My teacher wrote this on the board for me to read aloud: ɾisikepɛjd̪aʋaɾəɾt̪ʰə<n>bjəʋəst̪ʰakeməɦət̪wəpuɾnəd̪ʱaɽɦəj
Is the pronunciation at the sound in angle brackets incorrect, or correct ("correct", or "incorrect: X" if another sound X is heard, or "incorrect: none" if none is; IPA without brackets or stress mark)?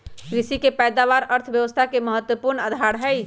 incorrect: none